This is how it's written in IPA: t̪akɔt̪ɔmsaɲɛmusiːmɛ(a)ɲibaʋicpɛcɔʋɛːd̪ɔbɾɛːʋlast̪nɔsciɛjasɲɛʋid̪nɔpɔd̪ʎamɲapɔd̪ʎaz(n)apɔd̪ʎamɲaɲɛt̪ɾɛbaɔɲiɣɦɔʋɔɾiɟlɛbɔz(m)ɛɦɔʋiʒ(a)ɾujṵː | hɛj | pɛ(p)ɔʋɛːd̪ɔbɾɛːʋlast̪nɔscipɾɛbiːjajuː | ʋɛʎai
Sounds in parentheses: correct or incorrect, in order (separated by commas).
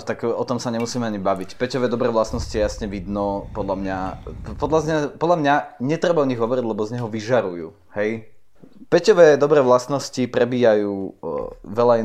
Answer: correct, incorrect, incorrect, correct, incorrect